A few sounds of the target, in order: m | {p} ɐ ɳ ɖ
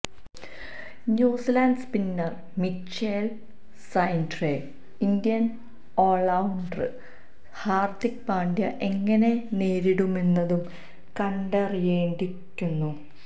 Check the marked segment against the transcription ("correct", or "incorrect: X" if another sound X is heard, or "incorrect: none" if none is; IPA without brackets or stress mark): incorrect: k